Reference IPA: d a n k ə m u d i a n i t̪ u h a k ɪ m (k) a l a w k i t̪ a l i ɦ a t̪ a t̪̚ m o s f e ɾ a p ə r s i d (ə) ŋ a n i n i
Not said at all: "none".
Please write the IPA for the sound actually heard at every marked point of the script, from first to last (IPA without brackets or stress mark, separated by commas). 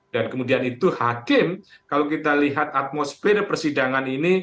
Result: k, a